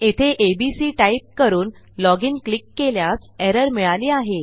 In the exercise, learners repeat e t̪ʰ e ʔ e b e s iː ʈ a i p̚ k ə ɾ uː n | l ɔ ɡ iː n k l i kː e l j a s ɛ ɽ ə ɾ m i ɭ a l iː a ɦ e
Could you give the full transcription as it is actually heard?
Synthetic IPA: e t̪ʰ e ʔ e b i s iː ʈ a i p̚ k ə ɾ uː n | l ɔ ɡ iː n k l i kː e l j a s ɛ ɾ ə ɾ m i ɭ a l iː a ɦ e